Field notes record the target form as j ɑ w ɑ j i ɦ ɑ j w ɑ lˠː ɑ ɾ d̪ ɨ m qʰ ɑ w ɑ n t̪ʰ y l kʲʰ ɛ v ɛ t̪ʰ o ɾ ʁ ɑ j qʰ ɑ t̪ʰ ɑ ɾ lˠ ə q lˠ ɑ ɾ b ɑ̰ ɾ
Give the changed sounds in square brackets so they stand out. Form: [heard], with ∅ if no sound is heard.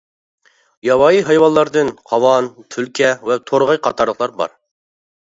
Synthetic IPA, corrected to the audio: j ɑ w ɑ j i ɦ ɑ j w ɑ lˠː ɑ ɾ d̪ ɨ [n] qʰ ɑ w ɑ n t̪ʰ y l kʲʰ ɛ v ɛ t̪ʰ o ɾ ʁ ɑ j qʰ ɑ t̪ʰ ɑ ɾ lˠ ə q lˠ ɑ ɾ b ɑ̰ ɾ